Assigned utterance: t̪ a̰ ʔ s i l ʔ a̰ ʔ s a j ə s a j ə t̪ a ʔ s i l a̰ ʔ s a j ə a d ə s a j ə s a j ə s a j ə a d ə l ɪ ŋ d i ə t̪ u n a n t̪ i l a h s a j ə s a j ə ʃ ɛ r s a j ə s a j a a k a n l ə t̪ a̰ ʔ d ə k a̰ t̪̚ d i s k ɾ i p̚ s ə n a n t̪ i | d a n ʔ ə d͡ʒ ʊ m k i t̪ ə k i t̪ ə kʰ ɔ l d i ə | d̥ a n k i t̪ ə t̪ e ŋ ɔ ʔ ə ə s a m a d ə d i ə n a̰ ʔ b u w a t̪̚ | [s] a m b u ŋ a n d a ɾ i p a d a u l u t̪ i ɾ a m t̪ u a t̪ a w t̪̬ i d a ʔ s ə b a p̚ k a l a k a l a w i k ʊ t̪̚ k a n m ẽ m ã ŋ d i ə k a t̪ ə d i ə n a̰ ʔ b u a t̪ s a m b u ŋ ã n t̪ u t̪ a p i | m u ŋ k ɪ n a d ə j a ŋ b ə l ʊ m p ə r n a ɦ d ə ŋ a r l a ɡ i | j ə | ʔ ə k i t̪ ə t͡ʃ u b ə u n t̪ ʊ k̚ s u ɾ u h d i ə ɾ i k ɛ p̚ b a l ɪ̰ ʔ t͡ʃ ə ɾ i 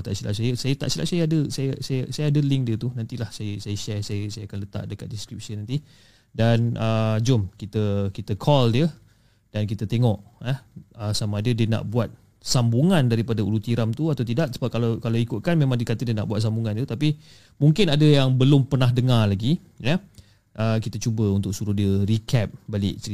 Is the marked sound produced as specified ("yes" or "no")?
yes